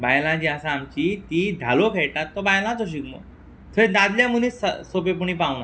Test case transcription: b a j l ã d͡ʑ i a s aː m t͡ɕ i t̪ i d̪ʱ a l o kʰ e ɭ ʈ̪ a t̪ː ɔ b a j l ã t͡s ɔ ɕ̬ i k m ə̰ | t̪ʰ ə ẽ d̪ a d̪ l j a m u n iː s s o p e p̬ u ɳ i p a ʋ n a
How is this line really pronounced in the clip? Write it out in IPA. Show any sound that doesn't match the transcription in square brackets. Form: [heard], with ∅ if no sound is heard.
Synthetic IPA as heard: b a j l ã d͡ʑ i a s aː m t͡ɕ i t̪ i d̪ʱ a l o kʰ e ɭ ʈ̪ a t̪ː ɔ b a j l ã t͡s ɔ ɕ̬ i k m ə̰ | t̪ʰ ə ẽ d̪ a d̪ l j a m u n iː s s o p e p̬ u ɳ i p a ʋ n a